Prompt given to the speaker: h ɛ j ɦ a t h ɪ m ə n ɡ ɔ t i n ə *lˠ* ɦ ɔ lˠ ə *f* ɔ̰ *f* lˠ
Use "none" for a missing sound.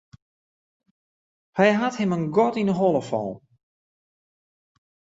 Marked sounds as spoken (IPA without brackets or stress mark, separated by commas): none, f, none